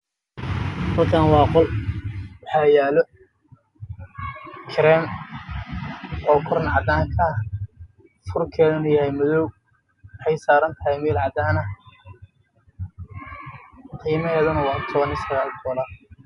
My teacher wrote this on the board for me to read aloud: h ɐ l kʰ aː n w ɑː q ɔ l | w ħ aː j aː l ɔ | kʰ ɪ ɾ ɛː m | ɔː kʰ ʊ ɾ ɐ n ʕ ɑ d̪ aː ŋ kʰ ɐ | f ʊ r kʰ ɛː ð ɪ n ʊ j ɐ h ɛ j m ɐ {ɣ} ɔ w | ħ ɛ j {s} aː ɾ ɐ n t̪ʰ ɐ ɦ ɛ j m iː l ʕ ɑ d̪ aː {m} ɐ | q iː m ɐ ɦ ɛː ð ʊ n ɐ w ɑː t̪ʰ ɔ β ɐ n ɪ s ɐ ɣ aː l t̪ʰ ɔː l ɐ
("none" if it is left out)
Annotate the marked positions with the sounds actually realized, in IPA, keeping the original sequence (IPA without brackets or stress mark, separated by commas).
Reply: ð, s, n